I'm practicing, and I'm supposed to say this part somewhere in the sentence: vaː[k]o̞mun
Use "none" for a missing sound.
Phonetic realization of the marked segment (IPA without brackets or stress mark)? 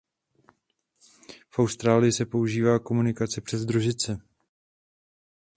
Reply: k